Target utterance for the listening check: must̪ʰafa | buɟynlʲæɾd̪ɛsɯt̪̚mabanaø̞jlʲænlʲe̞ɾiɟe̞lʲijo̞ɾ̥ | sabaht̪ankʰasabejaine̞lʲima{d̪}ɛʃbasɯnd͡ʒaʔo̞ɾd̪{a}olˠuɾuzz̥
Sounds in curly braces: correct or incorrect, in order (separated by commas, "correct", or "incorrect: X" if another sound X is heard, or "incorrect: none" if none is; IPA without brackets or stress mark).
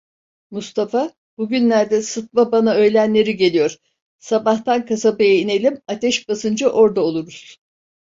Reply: incorrect: t̪, correct